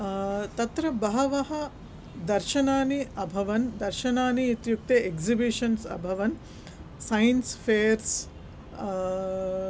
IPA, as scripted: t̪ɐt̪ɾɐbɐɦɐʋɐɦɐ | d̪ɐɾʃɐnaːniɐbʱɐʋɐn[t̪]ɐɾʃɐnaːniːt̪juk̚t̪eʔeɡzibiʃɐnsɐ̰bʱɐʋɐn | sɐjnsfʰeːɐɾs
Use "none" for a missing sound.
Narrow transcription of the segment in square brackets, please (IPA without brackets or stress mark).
d̪